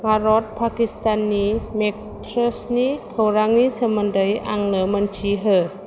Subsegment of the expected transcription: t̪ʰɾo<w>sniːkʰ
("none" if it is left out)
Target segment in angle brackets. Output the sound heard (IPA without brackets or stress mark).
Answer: none